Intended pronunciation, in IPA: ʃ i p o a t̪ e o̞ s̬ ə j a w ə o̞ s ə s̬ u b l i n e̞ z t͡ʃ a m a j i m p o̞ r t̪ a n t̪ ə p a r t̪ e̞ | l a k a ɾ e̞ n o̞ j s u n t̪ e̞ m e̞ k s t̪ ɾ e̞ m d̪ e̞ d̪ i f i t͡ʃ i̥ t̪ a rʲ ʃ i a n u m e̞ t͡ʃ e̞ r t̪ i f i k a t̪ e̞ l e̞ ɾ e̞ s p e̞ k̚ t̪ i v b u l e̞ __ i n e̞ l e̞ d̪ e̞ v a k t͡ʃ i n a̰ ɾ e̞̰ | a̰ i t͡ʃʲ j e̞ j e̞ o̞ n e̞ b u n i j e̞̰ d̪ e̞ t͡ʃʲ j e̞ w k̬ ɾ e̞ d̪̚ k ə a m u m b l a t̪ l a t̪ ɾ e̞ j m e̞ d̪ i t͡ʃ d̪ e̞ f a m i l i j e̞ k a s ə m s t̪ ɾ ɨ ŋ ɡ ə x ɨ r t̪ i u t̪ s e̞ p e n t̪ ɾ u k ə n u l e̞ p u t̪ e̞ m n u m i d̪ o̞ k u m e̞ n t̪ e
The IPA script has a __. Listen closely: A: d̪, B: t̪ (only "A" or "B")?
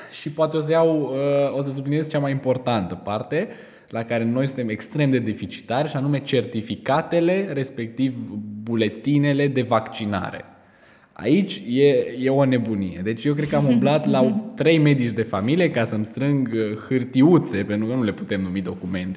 B